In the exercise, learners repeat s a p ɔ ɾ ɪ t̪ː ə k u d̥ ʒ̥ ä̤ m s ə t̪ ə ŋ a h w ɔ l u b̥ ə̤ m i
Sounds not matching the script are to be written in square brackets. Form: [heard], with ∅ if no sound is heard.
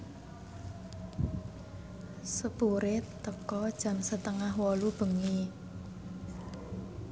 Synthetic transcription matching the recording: s [ə] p [u] ɾ ɪ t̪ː ə k [ɔ] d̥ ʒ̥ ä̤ m s ə t̪ ə ŋ a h w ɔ l u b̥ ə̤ [ŋ] i